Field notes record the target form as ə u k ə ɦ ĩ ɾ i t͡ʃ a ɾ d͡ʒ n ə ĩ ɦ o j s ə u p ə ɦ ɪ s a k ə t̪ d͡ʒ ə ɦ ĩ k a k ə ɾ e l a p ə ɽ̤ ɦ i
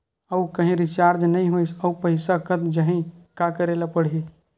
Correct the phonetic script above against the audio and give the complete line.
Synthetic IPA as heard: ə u k ə ɦ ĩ ɾ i t͡ʃ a ɾ d͡ʒ n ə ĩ ɦ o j s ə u p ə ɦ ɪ s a k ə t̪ d͡ʒ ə ɦ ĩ k a k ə ɾ e l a p ə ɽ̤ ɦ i